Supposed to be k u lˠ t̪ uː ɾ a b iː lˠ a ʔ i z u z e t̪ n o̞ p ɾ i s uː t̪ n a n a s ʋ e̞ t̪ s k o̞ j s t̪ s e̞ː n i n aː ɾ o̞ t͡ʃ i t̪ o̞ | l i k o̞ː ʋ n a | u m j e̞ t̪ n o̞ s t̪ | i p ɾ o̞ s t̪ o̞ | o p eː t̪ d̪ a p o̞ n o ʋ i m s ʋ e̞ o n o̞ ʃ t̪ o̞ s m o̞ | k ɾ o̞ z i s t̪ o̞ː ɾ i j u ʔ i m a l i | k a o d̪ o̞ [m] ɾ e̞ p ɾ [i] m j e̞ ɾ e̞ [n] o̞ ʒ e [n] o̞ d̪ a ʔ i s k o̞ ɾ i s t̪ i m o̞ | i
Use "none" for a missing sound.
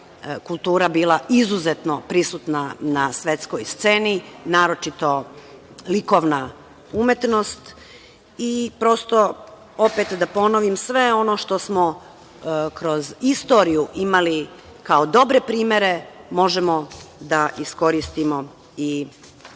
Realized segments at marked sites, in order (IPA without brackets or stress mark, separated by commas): b, iː, m, m